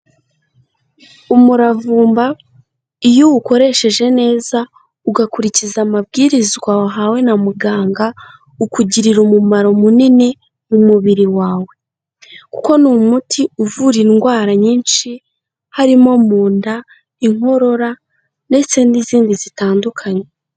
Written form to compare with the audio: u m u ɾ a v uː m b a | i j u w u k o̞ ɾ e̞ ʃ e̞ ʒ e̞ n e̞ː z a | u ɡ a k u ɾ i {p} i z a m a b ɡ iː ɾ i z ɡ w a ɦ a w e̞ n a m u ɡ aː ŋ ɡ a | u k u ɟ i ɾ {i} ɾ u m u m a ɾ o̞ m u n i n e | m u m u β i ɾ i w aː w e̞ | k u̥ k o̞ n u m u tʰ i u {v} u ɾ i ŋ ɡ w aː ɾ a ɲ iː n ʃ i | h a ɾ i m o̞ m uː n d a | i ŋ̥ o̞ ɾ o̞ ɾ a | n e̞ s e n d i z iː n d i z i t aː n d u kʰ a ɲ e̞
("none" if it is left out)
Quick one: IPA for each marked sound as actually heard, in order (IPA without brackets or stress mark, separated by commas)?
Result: c, i, v